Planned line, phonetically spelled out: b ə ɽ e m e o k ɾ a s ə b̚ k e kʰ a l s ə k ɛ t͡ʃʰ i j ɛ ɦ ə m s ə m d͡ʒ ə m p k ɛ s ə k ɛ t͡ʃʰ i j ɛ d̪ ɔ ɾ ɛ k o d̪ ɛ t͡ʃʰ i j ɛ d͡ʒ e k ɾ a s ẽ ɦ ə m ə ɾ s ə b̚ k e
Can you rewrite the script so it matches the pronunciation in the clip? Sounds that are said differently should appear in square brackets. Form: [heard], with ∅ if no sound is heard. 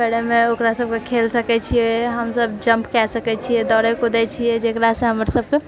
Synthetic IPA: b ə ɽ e m e o k ɾ a s ə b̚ k e kʰ [e] l s ə k ɛ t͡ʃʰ i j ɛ ɦ ə m s ə [b] d͡ʒ ə m p k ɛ s ə k ɛ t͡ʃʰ i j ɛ d̪ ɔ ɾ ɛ k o d̪ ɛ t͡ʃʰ i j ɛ d͡ʒ e k ɾ a s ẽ ɦ ə m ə ɾ s ə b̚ k e

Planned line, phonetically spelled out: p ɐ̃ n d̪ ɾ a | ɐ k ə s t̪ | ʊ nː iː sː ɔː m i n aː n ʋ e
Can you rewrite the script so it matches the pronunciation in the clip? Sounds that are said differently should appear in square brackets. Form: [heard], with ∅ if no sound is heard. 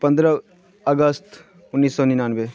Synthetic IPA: p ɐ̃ n d̪ ɾ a | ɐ [ɡ] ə s t̪ | ʊ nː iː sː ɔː [n] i n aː n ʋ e

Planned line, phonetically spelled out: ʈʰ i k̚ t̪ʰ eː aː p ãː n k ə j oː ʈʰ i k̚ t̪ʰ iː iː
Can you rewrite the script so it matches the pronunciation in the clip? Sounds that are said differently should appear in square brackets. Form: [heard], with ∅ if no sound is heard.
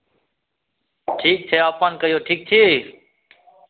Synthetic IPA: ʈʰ [iː] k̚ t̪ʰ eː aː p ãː n k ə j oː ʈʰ [iː] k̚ t̪ʰ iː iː

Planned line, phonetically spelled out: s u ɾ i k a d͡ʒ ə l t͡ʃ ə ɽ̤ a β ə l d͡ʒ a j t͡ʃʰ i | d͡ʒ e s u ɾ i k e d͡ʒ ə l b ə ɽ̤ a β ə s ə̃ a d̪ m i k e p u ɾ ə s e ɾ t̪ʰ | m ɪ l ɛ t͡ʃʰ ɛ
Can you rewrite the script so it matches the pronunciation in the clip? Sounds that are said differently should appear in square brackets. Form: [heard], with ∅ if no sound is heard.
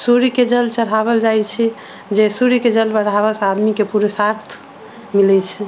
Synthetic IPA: s u ɾ i k [e] d͡ʒ ə l t͡ʃ ə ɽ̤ a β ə l d͡ʒ a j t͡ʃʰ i | d͡ʒ e s u ɾ i k e d͡ʒ ə l b ə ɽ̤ a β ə s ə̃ a d̪ m i k e p u ɾ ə s [a] ɾ t̪ʰ | m [i] l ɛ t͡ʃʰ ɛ

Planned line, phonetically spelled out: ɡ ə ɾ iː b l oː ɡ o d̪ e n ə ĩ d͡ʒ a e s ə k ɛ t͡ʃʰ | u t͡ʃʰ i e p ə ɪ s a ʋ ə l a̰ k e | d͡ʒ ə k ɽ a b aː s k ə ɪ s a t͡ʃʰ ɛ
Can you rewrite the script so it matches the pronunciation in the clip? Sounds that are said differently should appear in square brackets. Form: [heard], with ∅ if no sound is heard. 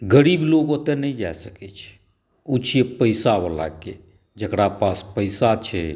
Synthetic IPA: ɡ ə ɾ iː b l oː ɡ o [t̪] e n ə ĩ d͡ʒ a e s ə k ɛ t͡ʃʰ | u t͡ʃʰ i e p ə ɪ s a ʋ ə l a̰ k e | d͡ʒ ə k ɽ a [p] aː s [p] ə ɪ s a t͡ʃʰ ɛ

